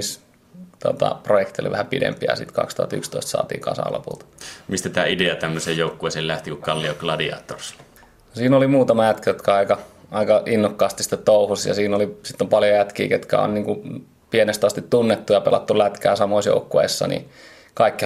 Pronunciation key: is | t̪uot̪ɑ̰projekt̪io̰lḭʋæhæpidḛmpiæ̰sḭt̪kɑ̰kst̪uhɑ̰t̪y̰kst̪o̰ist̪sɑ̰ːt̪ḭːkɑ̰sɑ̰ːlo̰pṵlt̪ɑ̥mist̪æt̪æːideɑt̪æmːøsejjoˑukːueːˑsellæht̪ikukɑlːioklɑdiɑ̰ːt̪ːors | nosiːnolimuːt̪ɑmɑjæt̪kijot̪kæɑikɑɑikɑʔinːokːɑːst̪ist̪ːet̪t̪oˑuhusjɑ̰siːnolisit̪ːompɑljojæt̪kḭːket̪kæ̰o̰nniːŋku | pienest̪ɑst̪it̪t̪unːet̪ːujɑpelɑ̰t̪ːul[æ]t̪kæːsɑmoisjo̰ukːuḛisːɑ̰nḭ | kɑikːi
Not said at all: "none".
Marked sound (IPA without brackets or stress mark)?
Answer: æ